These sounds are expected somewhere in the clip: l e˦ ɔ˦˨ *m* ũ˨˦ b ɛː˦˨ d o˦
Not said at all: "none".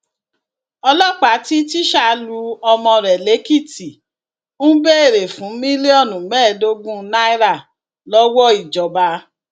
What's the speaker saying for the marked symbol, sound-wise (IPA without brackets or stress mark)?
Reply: n